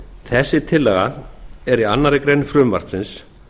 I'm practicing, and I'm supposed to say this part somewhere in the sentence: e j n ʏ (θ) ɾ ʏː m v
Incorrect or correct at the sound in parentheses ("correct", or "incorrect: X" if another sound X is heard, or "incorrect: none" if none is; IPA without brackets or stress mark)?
incorrect: f